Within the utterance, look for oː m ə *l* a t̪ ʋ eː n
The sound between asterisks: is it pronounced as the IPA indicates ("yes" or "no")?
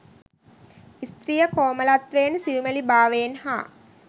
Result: yes